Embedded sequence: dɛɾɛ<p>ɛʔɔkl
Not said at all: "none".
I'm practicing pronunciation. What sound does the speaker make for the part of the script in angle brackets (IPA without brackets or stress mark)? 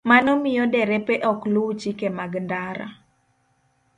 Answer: p